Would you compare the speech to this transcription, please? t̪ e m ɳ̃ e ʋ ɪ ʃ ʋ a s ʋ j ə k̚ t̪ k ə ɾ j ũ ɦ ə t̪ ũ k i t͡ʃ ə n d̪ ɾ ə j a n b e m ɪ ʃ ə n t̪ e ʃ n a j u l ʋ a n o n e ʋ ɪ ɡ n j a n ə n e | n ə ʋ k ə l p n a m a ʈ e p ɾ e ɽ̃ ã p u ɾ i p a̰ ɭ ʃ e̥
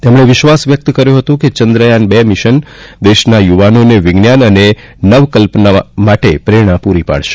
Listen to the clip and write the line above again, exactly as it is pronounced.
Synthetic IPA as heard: t̪ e m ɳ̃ e ʋ ɪ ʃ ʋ a s ʋ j ə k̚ t̪ k ə ɾ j ũ ɦ ə t̪ ũ k e t͡ʃ ə n d̪ ɾ ə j a n b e m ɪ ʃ ə n d̪ e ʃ n a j u ʋ a n o n e ʋ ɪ ɡ n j a n ə n e | n ə ʋ k ə l p n a m a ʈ e p ɾ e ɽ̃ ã p u ɾ i p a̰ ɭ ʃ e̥